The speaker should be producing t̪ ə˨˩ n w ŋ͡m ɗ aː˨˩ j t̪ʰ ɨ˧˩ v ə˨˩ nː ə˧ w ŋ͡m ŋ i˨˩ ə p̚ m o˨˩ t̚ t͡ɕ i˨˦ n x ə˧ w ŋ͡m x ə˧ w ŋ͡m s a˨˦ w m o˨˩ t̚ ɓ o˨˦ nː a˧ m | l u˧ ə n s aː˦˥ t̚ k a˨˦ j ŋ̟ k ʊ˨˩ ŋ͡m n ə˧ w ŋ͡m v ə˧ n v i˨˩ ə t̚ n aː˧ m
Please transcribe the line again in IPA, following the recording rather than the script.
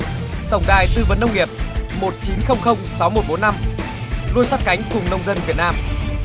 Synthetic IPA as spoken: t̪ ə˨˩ w ŋ͡m ɗ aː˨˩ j t̪ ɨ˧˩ v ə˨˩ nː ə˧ w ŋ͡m ŋ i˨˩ ə p̚ m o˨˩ t̚ t͡ɕ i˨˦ n x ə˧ w ŋ͡m x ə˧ w ŋ͡m s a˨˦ w m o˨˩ t̚ ɓ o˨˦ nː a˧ m | l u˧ ə n s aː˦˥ t̚ k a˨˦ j ŋ̟ k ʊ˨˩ ŋ͡m n ə˧ w ŋ͡m z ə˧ n v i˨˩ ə t̚ n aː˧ m